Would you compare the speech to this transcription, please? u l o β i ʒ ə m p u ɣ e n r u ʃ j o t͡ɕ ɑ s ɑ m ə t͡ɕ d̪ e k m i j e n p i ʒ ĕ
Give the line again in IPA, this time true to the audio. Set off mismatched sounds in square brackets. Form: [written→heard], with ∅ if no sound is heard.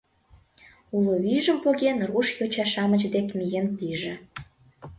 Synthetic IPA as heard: u l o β i ʒ ə m p [u→o] ɣ e n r u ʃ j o t͡ɕ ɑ [s→ʃ] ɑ m ə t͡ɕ d̪ e k m i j e n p i ʒ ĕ